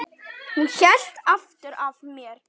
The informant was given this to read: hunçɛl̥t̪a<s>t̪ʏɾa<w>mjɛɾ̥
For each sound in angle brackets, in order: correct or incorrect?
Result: incorrect: f, incorrect: v

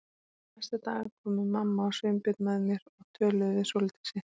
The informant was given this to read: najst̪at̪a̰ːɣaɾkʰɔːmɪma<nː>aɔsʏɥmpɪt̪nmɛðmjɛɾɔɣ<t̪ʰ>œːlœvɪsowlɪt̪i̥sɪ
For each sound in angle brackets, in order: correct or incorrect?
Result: incorrect: mː, correct

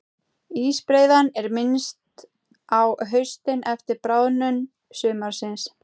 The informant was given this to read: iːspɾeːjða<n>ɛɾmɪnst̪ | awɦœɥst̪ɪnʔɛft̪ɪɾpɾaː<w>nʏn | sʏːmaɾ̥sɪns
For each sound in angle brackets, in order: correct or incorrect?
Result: correct, correct

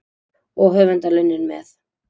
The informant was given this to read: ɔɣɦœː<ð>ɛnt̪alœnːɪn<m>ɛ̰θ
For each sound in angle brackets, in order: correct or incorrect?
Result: incorrect: v, correct

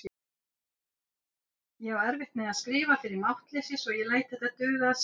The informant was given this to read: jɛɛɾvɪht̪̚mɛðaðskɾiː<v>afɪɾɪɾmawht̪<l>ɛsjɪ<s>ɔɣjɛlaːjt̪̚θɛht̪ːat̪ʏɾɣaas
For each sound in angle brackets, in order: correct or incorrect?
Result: correct, correct, correct

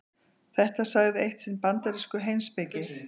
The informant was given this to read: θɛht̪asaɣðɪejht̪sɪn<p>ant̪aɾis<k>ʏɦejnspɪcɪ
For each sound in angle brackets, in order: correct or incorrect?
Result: correct, correct

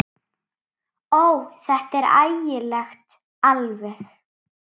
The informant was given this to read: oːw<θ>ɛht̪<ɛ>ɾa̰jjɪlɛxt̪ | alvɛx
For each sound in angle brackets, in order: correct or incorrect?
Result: correct, correct

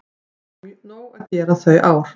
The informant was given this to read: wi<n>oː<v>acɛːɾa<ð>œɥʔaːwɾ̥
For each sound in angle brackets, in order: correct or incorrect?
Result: correct, incorrect: w, incorrect: θ

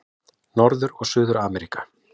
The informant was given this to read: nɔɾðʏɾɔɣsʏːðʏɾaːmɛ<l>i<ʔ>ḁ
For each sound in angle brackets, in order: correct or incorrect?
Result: incorrect: ɾ, incorrect: k

